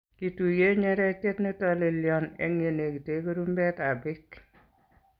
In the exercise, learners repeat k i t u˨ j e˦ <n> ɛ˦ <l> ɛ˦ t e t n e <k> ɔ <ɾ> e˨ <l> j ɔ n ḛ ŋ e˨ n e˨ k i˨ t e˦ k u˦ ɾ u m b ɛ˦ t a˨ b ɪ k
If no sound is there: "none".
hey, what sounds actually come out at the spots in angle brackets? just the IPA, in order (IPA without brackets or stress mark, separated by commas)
ɲ, ɾ, t, l, l